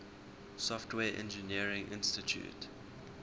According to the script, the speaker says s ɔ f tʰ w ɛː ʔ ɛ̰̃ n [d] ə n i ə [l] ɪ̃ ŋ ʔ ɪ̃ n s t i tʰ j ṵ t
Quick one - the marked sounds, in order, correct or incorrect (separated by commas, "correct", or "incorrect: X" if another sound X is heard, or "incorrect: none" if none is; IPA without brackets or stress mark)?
incorrect: d͡ʒ, incorrect: ɹ